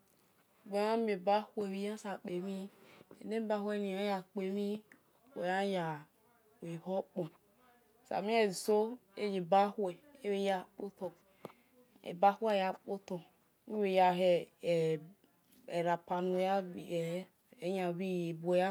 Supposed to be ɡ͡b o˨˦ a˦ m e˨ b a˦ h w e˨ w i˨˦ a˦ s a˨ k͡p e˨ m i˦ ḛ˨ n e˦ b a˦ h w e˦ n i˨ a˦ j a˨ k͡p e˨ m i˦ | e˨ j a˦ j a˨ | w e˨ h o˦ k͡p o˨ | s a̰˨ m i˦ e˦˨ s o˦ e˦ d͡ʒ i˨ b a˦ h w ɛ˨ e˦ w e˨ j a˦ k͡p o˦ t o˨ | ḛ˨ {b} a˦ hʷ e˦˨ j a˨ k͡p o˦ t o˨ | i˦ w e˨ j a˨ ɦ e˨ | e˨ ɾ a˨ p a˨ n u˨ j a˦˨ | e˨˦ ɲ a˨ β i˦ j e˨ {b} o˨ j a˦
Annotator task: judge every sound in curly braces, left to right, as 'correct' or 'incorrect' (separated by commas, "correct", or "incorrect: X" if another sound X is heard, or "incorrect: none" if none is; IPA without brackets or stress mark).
correct, correct